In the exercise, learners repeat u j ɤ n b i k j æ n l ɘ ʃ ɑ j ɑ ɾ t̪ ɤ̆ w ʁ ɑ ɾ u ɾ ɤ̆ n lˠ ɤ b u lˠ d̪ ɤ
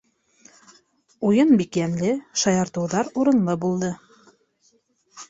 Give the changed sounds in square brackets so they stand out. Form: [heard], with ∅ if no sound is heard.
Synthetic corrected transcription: u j ɤ n b i k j æ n l ɘ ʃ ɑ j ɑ ɾ t̪ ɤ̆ w [ð] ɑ ɾ u ɾ ɤ̆ n lˠ ɤ b u lˠ d̪ ɤ